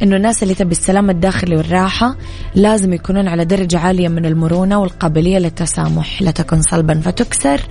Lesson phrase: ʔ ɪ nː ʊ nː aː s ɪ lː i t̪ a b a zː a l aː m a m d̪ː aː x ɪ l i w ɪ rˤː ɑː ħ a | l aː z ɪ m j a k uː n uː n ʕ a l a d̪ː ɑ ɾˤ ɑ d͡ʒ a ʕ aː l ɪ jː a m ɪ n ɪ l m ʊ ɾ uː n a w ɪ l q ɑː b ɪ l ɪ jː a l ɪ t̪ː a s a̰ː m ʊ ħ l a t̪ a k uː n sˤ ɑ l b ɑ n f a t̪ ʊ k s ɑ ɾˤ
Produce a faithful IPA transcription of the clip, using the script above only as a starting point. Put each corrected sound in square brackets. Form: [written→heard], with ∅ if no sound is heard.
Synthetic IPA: ʔ ɪ nː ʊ nː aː s ɪ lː i t̪ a b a [zː→sː] a l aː m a [m→∅] d̪ː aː x ɪ l i w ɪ rˤː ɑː ħ a | l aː z ɪ m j a k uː n uː n ʕ a l a [d̪ː→d̪] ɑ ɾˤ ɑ d͡ʒ a ʕ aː l ɪ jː a m ɪ n ɪ l m ʊ ɾ uː n a w ɪ l q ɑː b ɪ l ɪ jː a l ɪ t̪ː a s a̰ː m ʊ ħ l a t̪ a k uː n sˤ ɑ l b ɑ n f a t̪ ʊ k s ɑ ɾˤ